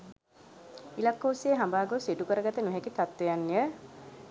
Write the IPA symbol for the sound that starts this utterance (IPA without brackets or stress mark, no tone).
i